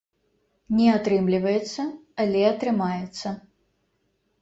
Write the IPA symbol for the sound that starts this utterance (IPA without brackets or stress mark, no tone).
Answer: nʲ